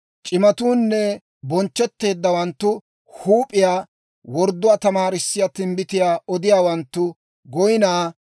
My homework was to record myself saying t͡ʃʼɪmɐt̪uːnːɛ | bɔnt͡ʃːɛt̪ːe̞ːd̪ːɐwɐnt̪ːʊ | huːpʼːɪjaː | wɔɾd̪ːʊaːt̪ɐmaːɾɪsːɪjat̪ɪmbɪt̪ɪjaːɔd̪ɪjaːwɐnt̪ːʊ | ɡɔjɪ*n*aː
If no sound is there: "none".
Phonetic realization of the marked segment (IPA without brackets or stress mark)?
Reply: n